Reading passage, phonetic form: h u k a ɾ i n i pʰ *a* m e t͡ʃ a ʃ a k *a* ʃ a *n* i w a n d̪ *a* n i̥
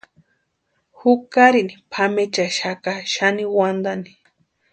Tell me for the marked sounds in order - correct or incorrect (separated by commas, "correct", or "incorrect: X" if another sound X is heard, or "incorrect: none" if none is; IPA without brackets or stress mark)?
correct, correct, correct, correct